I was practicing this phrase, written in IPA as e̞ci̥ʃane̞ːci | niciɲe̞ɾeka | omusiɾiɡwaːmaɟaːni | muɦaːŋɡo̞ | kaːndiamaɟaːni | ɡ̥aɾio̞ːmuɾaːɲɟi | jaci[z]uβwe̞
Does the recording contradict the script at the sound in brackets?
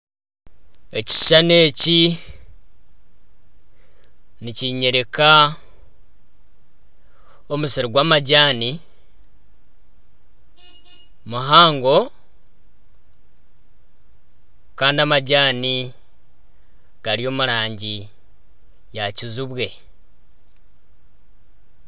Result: no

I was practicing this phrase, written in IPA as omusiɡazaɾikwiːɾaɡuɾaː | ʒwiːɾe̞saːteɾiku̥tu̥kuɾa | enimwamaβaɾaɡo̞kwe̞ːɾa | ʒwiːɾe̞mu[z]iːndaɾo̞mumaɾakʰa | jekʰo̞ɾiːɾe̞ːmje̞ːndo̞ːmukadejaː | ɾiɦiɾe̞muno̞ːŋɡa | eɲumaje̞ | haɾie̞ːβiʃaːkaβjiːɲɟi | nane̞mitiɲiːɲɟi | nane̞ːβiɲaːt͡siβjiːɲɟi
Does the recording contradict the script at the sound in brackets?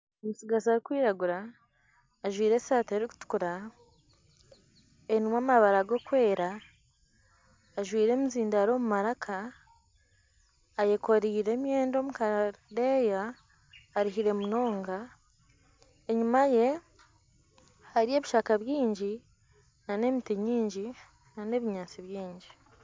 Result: no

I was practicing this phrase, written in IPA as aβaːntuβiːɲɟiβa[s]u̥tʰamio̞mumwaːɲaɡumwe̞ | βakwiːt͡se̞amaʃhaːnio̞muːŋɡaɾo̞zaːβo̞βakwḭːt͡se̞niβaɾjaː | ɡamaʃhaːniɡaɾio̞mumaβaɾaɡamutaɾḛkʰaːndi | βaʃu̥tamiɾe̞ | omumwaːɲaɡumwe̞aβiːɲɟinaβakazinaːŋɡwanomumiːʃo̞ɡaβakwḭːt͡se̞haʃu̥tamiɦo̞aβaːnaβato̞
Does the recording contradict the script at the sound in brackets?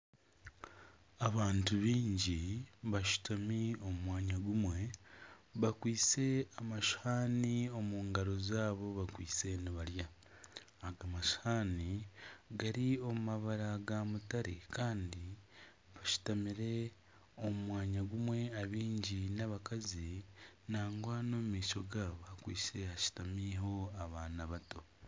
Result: yes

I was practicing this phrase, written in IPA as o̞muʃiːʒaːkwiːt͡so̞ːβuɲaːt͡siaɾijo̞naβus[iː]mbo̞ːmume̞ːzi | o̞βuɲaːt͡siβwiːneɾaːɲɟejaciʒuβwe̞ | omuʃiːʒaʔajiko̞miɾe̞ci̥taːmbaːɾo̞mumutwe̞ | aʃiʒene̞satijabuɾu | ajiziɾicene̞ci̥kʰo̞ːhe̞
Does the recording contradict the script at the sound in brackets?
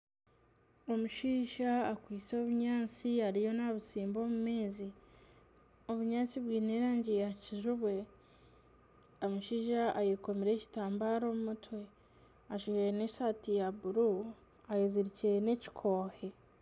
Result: no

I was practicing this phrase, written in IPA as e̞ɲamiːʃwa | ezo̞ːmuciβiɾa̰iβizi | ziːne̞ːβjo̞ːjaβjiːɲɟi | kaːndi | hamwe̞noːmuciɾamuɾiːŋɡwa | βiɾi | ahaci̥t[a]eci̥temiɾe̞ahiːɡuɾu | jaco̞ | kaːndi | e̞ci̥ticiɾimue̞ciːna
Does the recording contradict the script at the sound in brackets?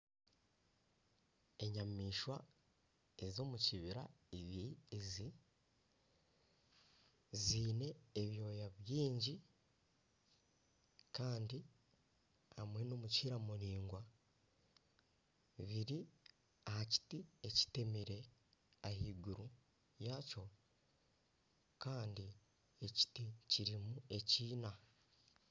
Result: yes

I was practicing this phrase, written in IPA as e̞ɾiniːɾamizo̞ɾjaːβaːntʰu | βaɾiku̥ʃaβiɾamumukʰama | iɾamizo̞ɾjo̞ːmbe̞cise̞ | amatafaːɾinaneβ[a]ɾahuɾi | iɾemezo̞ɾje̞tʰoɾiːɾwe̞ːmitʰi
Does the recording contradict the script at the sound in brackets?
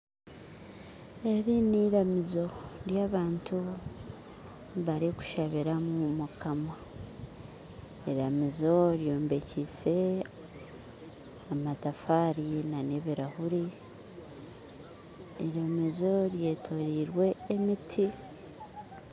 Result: yes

